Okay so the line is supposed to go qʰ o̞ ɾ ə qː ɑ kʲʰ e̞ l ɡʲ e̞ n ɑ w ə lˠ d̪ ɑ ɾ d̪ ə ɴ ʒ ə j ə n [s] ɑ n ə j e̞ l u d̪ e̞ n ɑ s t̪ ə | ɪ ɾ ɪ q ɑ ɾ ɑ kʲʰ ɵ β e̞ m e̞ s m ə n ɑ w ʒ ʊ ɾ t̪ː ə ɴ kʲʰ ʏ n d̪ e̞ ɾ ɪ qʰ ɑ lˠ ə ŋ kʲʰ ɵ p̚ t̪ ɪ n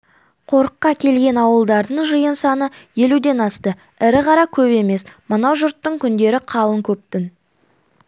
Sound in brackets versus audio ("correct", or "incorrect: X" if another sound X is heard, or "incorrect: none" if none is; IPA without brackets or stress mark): correct